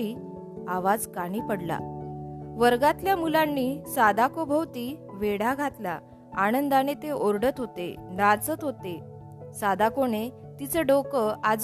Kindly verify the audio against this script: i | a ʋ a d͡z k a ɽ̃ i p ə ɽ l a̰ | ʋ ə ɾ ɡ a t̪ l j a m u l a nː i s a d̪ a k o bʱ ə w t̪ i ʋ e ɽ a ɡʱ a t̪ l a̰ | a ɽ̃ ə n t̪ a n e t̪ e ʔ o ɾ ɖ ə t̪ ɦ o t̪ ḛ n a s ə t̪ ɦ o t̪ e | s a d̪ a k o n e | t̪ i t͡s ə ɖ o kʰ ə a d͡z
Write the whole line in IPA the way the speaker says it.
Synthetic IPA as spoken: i | a ʋ a d͡z k a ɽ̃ i p ə ɽ l a̰ | ʋ ə ɾ ɡ a t̪ l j a m u l a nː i s a d̪ a k o bʱ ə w t̪ i ʋ e ɽ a ɡʱ a t̪ l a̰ | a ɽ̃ ə n d̪ a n e t̪ e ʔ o ɾ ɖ ə t̪ ɦ o t̪ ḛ n a t͡s ə t̪ ɦ o t̪ e | s a d̪ a k o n e | t̪ i t͡s ə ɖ o k ə a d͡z